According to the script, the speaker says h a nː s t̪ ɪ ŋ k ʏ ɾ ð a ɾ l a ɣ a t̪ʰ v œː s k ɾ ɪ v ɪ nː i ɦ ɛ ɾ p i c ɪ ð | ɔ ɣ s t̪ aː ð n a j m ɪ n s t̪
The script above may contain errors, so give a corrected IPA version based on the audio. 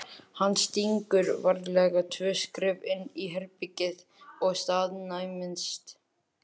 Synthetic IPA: h a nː s t̪ i ŋ k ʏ ɾ v a ɾ l ɛ ɣ a t̪ʰ v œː s k ɾ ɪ v ɪ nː i ɦ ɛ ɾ p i c ɪ ð | ɔ ɣ s t̪ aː ð n a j m ɪ n s t̪